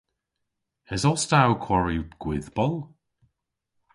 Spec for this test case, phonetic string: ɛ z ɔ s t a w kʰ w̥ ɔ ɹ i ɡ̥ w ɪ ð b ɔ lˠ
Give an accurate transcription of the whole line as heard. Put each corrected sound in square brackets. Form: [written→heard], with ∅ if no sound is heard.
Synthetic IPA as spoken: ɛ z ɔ s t a w kʰ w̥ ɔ ɹ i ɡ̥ w ɪ ð b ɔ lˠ